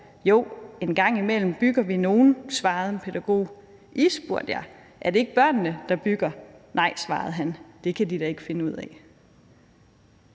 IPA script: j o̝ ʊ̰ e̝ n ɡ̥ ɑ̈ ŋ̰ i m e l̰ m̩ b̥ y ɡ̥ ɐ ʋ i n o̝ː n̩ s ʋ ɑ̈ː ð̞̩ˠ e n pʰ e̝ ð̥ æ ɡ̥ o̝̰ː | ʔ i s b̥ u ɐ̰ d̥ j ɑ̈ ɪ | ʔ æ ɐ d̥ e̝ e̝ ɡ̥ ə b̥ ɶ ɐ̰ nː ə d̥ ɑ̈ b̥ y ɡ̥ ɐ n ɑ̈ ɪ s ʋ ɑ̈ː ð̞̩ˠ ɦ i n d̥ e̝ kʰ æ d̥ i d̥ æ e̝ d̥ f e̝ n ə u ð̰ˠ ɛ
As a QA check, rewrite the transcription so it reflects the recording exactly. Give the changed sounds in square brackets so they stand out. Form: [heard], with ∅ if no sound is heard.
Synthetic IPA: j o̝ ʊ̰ e̝ n ɡ̥ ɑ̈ ŋ̰ i m e l̰ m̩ b̥ y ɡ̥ ɐ ʋ i n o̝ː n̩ s ʋ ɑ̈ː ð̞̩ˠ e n pʰ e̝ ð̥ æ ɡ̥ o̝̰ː | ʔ i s b̥ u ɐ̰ d̥ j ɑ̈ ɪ | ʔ æ ɐ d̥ e̝ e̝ ɡ̥ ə b̥ ɶ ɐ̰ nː ə d̥ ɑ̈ b̥ y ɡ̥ ɐ n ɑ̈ ɪ s ʋ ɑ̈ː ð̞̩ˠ ɦ [æ] n d̥ e̝ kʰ æ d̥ i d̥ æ e̝ [ɡ̥] f e̝ n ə u ð̰ˠ ɛ

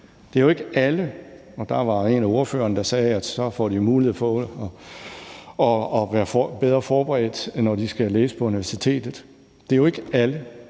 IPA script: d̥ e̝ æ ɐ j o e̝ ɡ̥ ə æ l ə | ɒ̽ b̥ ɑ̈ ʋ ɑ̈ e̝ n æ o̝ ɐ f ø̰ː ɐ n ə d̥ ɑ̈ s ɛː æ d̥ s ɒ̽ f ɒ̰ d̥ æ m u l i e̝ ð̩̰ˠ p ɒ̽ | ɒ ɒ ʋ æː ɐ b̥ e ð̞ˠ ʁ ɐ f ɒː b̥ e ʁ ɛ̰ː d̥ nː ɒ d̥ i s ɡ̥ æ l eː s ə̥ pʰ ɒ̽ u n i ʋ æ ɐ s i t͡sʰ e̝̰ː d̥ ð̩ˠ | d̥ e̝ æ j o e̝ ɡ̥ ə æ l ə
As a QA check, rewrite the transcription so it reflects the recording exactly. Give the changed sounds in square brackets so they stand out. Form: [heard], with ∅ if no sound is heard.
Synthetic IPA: d̥ e̝ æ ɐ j o e̝ ɡ̥ ə æ l ə | ɒ̽ [d̥] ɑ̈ ʋ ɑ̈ e̝ n æ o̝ ɐ f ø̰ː ɐ n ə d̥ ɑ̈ s ɛː æ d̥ s ɒ̽ f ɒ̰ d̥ [i] m [uː] l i e̝ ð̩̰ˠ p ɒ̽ | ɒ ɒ ʋ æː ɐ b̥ e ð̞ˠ ʁ ɐ f ɒː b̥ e ʁ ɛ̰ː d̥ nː ɒ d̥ i s ɡ̥ æ l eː s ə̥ pʰ ɒ̽ u n i ʋ æ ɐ s i t͡sʰ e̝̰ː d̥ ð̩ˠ | d̥ e̝ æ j o e̝ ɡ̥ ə æ l ə

